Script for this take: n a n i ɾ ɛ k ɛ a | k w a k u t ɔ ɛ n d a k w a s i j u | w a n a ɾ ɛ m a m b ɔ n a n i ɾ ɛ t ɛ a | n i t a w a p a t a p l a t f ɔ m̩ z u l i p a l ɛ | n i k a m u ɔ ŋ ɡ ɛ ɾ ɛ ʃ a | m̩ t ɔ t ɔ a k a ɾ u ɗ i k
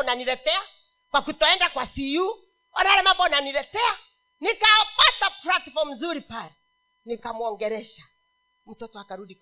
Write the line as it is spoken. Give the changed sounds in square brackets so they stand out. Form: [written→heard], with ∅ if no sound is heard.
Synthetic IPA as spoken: n a n i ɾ ɛ [k→t] ɛ a | k w a k u t ɔ ɛ n d a k w a s i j u | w a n a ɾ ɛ m a m b ɔ n a n i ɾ ɛ t ɛ a | n i [t→k] a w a p a t a p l a t f ɔ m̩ z u [l→ɾ] i p a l ɛ | n i k a m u ɔ ŋ ɡ ɛ ɾ ɛ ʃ a | m̩ t ɔ t ɔ a k a ɾ u ɗ i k